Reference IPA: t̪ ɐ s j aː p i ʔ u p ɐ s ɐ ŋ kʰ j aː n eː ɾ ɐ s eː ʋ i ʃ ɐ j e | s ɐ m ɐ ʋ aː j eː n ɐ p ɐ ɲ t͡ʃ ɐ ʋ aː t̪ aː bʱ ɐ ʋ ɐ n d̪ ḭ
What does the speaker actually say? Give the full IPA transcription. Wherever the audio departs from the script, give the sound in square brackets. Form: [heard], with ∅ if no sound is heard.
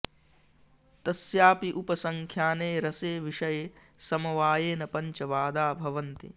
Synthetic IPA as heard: t̪ ɐ s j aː p i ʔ u p ɐ s ɐ ŋ kʰ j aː n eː ɾ ɐ s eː ʋ i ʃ ɐ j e | s ɐ m ɐ ʋ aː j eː n ɐ p ɐ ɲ t͡ʃ ɐ ʋ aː [d̪] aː bʱ ɐ ʋ ɐ n [t̪] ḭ